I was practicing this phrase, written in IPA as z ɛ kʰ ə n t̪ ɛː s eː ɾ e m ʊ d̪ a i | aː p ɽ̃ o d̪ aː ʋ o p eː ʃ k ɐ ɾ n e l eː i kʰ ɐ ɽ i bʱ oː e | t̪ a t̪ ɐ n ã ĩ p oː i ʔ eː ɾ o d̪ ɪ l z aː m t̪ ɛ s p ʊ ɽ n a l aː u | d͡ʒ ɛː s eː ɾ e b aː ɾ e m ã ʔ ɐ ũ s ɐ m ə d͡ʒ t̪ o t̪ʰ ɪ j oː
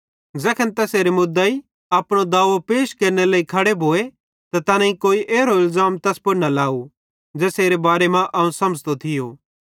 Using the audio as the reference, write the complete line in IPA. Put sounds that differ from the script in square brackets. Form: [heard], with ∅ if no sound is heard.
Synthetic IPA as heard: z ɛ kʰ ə n t̪ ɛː s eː ɾ e m ʊ d̪ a i | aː p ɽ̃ o d̪ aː ʋ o p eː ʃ k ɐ ɾ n e l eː i kʰ ɐ ɽ [e] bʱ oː e | t̪ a t̪ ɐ n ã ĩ [k] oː i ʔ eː ɾ o [∅] ɪ l z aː m t̪ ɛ s p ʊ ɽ n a l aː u | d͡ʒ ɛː s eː ɾ e b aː ɾ e m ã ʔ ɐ ũ s ɐ m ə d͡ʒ t̪ o t̪ʰ ɪ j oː

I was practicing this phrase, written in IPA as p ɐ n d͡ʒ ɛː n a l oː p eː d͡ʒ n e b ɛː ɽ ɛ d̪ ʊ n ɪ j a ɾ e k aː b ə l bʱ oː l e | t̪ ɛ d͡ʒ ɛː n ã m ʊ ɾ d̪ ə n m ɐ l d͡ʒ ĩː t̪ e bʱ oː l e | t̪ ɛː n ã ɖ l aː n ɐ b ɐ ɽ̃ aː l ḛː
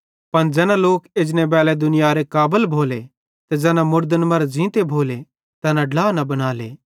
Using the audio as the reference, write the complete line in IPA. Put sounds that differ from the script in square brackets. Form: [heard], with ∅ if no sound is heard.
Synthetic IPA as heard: p ɐ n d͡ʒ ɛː n a l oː [k] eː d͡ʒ n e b ɛː [l] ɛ d̪ ʊ n ɪ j a ɾ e k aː b ə l bʱ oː l e | t̪ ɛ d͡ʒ ɛː n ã m ʊ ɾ d̪ ə n m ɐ [ɾ] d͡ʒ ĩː t̪ e bʱ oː l e | t̪ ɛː n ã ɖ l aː n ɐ b ɐ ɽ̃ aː l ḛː

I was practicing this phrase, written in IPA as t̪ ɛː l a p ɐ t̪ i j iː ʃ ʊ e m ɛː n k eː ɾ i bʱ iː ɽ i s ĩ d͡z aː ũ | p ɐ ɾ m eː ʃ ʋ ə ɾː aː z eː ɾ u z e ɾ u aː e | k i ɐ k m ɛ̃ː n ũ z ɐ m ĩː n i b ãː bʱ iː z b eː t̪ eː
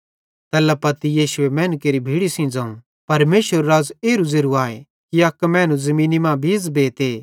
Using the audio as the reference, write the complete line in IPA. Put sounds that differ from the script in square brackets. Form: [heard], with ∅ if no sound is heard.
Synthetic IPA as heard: t̪ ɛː l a p ɐ t̪ i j iː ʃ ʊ e m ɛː n k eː ɾ i bʱ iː ɽ i s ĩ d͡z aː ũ | p ɐ ɾ m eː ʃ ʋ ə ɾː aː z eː ɾ u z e ɾ u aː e | k i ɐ k m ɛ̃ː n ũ z ɐ m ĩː n i [m] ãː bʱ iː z b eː t̪ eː

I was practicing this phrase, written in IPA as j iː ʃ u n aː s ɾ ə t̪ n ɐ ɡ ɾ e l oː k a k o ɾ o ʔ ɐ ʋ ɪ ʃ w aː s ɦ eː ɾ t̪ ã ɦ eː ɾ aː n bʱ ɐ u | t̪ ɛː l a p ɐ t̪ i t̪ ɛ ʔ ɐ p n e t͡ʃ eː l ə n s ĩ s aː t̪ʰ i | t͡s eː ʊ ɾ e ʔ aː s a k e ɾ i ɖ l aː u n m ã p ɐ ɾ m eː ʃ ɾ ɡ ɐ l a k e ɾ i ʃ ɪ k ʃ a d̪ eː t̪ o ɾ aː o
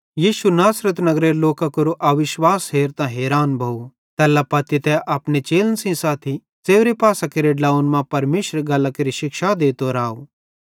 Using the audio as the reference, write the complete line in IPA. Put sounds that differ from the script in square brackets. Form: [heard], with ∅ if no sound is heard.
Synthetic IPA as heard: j iː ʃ u n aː s ɾ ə t̪ n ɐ ɡ ɾ e l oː k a k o ɾ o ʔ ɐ ʋ ɪ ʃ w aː s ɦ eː ɾ t̪ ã ɦ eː ɾ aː n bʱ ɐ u | t̪ ɛː l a p ɐ t̪ i t̪ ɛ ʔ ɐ p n e t͡ʃ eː l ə n s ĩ s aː t̪ʰ i | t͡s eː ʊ ɾ e [p] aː s a k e ɾ [e] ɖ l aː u n m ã p ɐ ɾ m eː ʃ ɾ ɡ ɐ l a k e ɾ i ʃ ɪ k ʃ a d̪ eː t̪ o ɾ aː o

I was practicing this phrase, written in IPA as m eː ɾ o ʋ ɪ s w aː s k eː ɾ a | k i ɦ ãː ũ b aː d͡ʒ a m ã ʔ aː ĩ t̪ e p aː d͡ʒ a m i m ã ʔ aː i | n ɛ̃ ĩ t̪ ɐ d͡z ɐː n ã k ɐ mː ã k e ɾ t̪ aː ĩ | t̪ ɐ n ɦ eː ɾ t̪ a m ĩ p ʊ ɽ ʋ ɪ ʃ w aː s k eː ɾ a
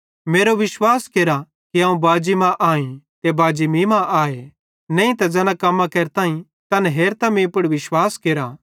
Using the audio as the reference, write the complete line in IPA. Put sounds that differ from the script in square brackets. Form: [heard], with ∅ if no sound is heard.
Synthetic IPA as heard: m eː ɾ o ʋ ɪ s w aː s k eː ɾ a | k i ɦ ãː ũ b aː d͡ʒ [i] m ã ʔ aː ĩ t̪ e [b] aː d͡ʒ [i] m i m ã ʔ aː [e] | n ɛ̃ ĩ t̪ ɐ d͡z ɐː n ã k ɐ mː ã k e ɾ t̪ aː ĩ | t̪ ɐ n ɦ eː ɾ t̪ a m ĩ p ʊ ɽ ʋ ɪ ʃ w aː s k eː ɾ a

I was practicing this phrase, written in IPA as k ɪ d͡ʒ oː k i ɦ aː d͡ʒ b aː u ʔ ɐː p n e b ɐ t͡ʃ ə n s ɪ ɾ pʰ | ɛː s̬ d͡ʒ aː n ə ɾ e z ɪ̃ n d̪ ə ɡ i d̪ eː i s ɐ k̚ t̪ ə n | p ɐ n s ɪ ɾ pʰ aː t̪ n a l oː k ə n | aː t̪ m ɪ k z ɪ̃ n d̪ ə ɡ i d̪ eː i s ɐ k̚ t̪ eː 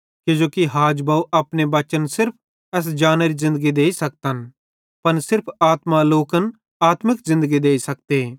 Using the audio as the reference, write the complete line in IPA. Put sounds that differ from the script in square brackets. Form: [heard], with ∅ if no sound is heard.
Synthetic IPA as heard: k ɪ d͡ʒ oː k i ɦ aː d͡ʒ b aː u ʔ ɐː p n e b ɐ t͡ʃ ə n s ɪ ɾ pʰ | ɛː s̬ d͡ʒ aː n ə ɾ [i] z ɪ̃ n d̪ ə ɡ i d̪ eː i s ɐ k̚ t̪ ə n | p ɐ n s ɪ ɾ pʰ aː t̪ [m] a l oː k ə n | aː t̪ m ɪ k z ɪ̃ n d̪ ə ɡ i d̪ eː i s ɐ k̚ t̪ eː

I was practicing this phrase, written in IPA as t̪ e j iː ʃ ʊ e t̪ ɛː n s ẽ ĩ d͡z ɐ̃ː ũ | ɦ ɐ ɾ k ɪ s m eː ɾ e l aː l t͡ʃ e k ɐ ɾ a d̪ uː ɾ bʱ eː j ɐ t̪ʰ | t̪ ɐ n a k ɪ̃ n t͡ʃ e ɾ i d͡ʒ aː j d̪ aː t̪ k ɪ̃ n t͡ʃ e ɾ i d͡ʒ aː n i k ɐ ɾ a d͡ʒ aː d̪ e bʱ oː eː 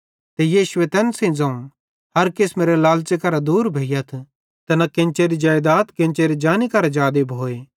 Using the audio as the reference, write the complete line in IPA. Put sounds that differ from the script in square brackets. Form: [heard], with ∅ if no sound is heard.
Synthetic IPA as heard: t̪ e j iː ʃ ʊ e t̪ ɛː n s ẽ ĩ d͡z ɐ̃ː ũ | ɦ ɐ ɾ k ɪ s m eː ɾ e l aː l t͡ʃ e k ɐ ɾ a d̪ uː ɾ bʱ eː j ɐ t̪ʰ | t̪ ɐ n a k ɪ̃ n t͡ʃ e ɾ i d͡ʒ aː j d̪ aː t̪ k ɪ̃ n t͡ʃ e ɾ i d͡ʒ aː n i k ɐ ɾ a d͡ʒ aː d̪ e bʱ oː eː

